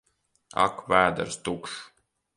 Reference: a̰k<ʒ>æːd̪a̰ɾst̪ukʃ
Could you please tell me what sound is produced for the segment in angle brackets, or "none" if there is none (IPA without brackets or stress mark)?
v